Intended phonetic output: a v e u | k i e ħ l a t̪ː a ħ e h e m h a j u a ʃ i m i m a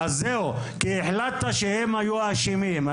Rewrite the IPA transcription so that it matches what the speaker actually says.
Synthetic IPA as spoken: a z e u | k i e ħ l a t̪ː a ʃ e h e m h a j u a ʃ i m i m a